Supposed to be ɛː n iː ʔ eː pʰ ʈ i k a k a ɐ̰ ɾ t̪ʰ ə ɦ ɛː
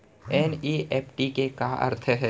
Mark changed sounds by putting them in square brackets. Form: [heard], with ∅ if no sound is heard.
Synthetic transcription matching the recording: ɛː n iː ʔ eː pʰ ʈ i k [e] k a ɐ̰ ɾ t̪ʰ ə ɦ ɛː